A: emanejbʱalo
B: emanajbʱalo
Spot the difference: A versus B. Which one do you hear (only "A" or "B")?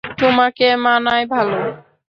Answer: B